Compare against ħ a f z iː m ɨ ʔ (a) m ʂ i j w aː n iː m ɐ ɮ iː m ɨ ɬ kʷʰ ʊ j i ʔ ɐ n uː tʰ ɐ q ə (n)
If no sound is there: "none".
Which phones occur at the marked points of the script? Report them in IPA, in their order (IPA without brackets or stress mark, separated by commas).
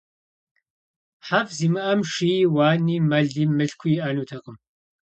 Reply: ɐ, m